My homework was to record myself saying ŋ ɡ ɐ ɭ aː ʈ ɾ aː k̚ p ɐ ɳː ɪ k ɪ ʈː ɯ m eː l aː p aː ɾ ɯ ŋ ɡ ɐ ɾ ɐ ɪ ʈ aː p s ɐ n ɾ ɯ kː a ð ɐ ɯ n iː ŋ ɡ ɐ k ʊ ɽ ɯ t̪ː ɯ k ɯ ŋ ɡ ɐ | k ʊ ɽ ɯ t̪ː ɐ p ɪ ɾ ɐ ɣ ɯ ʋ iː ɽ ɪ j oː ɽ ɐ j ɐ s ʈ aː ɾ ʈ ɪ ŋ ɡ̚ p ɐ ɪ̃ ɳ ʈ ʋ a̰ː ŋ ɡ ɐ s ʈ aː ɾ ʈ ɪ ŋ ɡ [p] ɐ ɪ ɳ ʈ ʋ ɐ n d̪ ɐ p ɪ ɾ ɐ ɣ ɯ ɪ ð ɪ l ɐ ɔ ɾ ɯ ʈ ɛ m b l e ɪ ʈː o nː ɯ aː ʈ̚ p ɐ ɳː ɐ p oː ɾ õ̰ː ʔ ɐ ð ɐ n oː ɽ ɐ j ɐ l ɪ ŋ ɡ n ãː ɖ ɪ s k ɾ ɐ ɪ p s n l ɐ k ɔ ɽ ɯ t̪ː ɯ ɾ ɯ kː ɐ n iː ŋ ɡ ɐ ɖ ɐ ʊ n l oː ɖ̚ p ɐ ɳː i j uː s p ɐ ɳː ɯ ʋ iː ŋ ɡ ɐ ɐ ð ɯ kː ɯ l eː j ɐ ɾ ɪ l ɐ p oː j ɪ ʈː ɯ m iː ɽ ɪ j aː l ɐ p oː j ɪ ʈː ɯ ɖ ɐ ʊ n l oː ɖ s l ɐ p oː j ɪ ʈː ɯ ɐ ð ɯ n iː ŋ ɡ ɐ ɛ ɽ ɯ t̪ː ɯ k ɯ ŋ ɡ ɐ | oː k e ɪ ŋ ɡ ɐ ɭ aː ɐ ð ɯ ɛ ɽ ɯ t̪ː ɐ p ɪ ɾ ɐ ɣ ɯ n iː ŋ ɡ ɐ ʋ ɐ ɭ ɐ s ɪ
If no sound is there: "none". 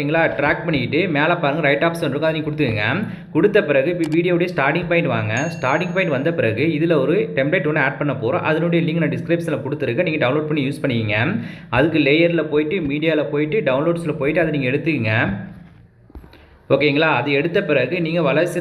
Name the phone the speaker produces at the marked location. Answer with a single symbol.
p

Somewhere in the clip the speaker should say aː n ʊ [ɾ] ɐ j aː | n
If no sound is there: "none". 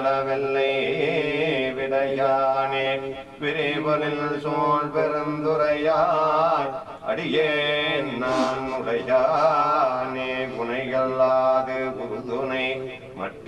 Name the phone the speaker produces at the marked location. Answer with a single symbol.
ɽ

